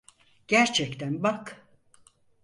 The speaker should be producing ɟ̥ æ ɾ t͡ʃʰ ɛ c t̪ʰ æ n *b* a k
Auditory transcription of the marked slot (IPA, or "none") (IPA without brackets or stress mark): b